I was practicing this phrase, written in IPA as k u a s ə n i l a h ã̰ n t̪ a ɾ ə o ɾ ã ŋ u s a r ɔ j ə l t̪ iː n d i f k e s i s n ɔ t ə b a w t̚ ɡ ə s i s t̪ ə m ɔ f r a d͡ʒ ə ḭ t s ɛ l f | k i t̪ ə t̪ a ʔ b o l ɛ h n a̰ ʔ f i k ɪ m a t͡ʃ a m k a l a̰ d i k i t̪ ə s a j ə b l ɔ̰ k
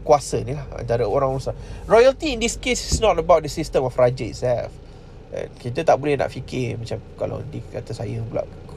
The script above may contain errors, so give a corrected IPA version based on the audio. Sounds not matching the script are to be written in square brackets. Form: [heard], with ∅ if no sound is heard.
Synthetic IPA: k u a s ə n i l a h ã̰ n t̪ a ɾ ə o ɾ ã ŋ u s a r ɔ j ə l t̪ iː n d i [s] k e s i s n ɔ t ə b a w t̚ [d] ə s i s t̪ ə m ɔ f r a d͡ʒ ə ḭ t s ɛ l f | k i t̪ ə t̪ a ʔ b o l ɛ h n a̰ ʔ f i k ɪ m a t͡ʃ a m k a l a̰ d i k [a] t̪ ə s a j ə b l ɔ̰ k